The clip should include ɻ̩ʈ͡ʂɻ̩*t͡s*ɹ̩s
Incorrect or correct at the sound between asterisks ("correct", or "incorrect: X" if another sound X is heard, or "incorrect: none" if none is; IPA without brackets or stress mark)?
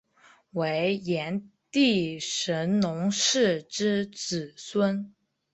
correct